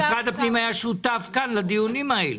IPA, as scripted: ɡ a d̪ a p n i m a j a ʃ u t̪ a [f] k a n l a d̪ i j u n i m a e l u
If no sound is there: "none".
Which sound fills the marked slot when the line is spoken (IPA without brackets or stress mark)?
f